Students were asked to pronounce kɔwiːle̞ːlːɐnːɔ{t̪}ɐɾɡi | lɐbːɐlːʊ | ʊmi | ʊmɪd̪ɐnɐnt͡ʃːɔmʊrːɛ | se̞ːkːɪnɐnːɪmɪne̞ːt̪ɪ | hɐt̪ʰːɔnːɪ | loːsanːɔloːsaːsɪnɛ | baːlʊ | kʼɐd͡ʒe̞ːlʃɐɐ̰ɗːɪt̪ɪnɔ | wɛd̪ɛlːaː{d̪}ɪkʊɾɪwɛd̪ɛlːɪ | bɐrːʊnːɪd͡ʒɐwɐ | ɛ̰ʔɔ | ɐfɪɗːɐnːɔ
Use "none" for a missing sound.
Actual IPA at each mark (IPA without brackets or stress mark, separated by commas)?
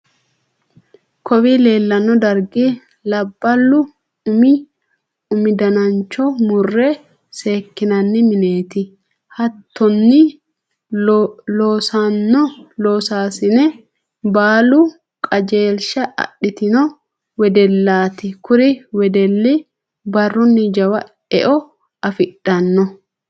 d̪, t̪